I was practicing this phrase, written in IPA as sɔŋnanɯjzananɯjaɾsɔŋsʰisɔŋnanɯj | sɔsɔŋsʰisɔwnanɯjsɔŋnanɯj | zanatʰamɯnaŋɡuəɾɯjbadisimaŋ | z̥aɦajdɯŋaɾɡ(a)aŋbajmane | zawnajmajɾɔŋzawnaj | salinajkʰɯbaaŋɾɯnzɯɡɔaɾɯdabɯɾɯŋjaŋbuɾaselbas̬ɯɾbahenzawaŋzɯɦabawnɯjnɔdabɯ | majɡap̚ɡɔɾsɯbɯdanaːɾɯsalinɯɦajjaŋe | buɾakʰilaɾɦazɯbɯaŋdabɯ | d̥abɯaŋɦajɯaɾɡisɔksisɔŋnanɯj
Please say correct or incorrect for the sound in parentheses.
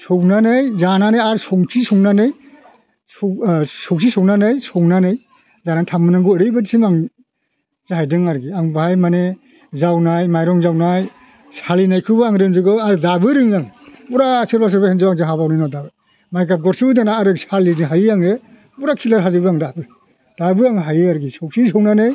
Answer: incorrect